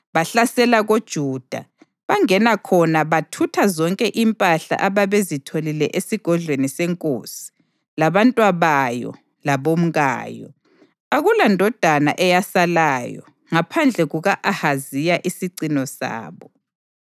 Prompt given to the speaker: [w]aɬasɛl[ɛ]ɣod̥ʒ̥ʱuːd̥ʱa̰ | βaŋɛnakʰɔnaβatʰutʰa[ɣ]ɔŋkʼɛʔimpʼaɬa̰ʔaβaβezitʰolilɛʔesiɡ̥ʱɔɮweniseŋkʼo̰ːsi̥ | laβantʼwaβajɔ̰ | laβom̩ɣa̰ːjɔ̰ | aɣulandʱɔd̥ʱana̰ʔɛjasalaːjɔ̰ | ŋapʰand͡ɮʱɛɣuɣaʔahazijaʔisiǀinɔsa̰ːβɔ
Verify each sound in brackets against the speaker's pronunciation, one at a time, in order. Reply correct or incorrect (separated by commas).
incorrect, incorrect, incorrect